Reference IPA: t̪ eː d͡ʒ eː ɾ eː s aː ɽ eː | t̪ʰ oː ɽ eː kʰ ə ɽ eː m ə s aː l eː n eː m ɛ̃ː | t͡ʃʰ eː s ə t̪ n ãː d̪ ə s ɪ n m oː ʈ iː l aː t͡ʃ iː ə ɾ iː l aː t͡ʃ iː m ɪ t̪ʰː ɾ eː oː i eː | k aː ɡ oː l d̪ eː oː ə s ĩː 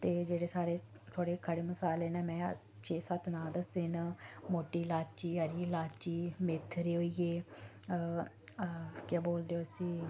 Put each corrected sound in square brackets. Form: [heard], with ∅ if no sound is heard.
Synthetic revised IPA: t̪ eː d͡ʒ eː [ɽ] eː s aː ɽ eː | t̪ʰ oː ɽ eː kʰ ə ɽ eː m ə s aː l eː n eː m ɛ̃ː | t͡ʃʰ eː s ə t̪ n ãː d̪ ə s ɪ n m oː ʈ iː l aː t͡ʃ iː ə ɾ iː l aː t͡ʃ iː m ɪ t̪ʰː ɾ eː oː i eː | k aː [b] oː l d̪ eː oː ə s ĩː